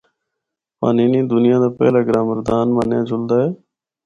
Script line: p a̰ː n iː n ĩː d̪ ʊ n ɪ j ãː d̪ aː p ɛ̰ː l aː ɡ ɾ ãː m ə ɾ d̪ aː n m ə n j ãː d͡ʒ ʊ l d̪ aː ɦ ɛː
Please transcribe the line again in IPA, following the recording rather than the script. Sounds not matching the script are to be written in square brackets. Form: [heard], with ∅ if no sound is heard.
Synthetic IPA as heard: p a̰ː n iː n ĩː d̪ ʊ n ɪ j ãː d̪ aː p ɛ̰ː l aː ɡ ɾ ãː m ə ɾ d̪ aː n m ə n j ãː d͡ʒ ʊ l d̪ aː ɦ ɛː